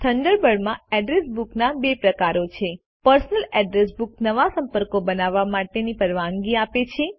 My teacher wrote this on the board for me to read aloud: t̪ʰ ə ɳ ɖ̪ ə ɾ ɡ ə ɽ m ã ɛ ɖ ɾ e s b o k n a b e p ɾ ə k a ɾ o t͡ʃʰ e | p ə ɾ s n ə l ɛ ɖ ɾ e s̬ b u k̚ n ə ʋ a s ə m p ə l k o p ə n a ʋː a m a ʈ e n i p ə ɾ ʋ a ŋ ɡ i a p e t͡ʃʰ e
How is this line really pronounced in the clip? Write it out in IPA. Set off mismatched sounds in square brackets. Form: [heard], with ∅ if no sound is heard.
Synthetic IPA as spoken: t̪ʰ ə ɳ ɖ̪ ə ɾ [b] ə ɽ m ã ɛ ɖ ɾ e s b [u] k n a b e p ɾ ə k a ɾ o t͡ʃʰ e | p ə ɾ s n ə l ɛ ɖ ɾ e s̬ b u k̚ n ə ʋ a s ə m p ə [ɾ] k o [b] ə n a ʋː a m a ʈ e n i p ə ɾ ʋ a ŋ ɡ i a p e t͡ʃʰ e